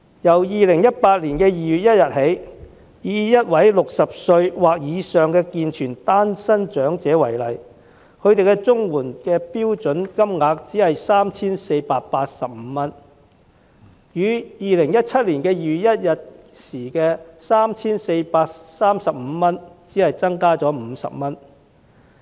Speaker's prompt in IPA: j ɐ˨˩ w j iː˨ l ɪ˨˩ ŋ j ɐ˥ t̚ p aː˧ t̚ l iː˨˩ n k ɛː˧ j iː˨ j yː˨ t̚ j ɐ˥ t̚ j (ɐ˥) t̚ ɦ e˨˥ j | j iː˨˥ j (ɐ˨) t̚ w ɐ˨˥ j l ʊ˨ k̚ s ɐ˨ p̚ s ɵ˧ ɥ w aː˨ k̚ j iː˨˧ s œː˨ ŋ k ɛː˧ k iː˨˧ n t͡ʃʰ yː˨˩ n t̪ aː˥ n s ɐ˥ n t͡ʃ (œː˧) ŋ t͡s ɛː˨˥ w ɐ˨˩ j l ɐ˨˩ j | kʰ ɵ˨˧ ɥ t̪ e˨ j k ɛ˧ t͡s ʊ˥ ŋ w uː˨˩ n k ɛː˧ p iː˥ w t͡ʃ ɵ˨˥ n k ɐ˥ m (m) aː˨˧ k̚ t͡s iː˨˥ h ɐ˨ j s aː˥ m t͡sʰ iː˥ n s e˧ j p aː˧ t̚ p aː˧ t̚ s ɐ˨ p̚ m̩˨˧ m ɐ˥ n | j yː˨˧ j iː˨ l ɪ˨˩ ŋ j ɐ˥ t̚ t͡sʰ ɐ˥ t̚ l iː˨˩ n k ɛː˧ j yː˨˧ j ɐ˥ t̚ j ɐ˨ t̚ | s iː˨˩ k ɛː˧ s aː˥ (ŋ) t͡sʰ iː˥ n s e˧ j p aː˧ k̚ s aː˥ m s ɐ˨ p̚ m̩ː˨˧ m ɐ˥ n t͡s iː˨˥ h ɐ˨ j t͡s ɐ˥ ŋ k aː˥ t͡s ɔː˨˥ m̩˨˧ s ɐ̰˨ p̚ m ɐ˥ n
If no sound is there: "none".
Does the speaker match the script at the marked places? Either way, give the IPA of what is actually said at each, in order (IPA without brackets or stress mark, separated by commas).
ɐ˨, ɐ˥, œː˨˥, ŋ, m